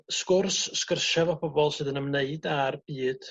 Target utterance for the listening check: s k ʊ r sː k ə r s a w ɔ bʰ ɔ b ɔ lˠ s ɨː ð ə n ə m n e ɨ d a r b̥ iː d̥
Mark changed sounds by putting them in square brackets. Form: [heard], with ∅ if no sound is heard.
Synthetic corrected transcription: s k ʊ r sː k ə r [ʃ] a [v] ɔ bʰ ɔ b ɔ lˠ s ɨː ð ə n ə m n e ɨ d a r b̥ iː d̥